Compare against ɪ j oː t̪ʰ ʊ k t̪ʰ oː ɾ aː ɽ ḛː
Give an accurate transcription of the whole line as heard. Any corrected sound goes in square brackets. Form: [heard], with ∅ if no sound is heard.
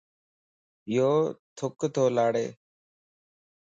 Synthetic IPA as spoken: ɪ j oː t̪ʰ ʊ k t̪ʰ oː [l] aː ɽ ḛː